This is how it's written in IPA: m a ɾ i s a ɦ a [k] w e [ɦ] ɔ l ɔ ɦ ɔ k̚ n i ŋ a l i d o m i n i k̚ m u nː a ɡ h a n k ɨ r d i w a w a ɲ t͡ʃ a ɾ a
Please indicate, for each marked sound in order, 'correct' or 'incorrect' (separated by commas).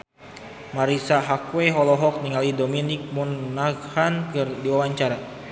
correct, correct